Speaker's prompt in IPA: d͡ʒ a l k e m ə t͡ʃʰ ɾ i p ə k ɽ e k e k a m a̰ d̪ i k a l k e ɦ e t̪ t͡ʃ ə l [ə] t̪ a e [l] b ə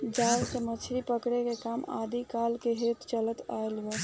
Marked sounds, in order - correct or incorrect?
correct, correct

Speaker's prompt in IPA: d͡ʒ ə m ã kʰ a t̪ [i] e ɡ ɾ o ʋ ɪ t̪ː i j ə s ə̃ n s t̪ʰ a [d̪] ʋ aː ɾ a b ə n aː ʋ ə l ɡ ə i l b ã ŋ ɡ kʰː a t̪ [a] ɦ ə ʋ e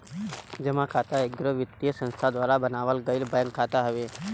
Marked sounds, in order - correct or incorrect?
incorrect, correct, correct

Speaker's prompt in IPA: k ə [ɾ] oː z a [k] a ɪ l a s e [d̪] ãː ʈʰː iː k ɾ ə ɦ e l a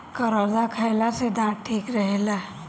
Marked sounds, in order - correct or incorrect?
correct, incorrect, correct

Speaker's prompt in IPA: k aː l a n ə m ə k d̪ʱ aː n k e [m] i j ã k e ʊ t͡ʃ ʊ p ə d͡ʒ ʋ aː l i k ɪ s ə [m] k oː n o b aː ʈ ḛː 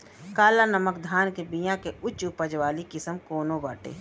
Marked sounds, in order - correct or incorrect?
incorrect, correct

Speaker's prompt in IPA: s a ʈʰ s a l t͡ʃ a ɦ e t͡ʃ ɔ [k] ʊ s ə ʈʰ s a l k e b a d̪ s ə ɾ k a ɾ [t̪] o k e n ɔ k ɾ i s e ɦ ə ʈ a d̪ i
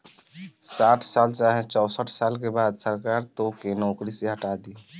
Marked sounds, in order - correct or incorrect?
incorrect, correct

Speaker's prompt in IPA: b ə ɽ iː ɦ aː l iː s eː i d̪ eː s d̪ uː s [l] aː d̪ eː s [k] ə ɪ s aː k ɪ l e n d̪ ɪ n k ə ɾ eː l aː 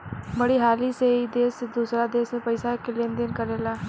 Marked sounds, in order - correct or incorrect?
incorrect, incorrect

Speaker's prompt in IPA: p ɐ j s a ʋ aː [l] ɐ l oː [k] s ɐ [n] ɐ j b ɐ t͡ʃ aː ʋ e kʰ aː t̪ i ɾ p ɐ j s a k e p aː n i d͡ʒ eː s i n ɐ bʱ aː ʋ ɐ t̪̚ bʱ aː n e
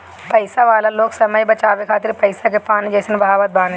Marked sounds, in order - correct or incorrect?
correct, correct, incorrect

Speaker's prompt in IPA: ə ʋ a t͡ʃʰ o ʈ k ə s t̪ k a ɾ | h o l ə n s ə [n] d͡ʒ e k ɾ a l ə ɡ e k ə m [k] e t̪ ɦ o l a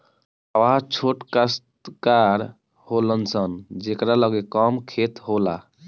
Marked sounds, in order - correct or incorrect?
correct, incorrect

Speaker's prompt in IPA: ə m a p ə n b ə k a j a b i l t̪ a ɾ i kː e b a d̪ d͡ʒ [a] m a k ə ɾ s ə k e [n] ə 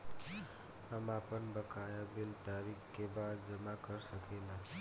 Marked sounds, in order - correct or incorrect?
incorrect, correct

